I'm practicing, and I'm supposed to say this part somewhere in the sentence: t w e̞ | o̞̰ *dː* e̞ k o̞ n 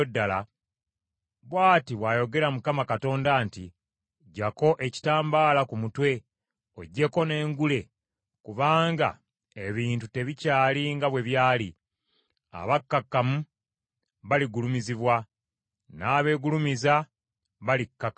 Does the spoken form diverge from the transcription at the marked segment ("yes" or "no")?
yes